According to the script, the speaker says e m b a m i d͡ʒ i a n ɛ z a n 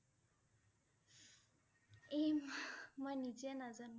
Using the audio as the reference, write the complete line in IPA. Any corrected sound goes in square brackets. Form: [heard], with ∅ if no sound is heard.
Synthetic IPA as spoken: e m [m] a [n] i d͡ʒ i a n [a] z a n